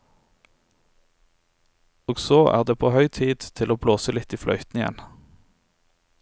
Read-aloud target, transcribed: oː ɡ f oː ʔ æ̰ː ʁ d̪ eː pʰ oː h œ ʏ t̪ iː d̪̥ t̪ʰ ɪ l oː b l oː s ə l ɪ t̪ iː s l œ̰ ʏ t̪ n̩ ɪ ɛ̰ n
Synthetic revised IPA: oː ɡ s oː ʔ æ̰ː ʁ d̪ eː pʰ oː h œ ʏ t̪ʰ iː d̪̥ t̪ʰ ɪ l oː b l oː s ə l ɪ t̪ iː f l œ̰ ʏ t̪ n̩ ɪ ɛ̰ n